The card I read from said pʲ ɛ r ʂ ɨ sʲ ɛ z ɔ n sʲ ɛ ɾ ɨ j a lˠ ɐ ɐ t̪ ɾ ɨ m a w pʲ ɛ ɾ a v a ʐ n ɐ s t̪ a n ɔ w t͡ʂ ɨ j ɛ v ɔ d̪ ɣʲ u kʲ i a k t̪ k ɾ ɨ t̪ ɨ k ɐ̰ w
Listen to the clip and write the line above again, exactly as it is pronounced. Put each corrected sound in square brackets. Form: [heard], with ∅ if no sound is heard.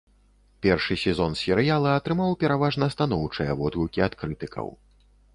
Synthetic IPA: pʲ ɛ r ʂ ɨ sʲ ɛ z ɔ n sʲ ɛ ɾ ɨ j a lˠ ɐ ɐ t̪ ɾ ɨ m a w pʲ ɛ ɾ a v a ʐ n ɐ s t̪ a n ɔ w t͡ʂ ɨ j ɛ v ɔ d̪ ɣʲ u kʲ i a [∅] t̪ k ɾ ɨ t̪ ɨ k ɐ̰ w